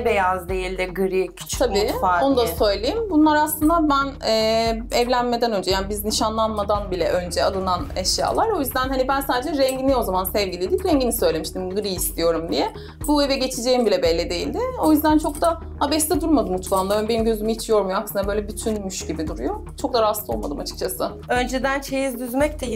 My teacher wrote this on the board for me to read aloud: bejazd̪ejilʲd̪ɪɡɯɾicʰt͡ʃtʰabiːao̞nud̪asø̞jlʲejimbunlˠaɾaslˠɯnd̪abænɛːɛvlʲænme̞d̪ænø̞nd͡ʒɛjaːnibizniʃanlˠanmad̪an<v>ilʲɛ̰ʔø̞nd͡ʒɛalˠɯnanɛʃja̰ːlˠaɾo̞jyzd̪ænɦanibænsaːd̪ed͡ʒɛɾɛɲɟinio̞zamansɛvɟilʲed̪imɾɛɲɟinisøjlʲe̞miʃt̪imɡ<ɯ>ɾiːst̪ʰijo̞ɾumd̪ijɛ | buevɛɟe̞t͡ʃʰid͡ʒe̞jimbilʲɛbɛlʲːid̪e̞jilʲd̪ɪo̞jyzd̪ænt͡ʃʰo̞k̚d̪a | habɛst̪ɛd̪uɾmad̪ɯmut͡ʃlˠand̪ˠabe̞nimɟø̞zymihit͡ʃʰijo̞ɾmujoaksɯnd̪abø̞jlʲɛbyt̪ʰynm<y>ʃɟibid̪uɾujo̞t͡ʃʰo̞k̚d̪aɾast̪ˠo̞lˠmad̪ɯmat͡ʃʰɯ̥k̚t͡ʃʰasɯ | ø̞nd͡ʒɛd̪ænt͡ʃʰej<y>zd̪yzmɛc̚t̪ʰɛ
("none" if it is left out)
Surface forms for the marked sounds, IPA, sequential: b, ɯ, y, i

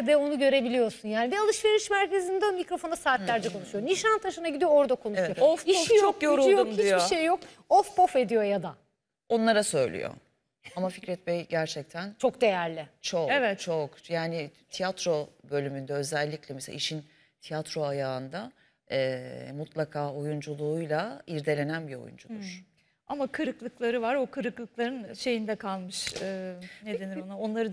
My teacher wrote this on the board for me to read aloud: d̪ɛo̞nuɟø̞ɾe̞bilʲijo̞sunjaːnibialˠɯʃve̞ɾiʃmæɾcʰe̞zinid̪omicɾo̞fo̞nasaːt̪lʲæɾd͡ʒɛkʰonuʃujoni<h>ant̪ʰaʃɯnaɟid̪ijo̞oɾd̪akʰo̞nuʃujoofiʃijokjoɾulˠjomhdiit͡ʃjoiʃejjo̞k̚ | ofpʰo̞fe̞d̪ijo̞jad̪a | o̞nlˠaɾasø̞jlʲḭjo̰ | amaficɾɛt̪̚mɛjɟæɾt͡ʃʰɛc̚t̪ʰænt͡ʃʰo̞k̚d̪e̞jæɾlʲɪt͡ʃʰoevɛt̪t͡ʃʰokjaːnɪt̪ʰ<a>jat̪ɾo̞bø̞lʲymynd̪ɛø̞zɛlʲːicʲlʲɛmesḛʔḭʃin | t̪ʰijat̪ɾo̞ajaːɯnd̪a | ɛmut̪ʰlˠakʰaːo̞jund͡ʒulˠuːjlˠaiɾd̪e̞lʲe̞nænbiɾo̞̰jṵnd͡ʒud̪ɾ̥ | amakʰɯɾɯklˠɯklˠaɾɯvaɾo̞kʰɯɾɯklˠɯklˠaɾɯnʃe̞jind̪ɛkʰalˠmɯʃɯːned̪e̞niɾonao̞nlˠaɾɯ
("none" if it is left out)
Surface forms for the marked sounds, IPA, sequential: ʃ, i

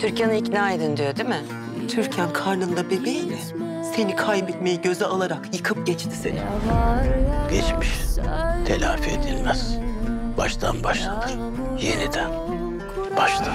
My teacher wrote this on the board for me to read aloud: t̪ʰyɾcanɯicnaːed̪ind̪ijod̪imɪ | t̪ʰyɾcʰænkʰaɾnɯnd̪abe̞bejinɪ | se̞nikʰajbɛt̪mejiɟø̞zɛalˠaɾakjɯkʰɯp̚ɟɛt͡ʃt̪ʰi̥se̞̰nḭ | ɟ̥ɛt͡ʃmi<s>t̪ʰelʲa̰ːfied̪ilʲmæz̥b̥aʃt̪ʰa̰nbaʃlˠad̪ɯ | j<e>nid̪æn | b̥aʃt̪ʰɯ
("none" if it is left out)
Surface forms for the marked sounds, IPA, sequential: ʃ, e

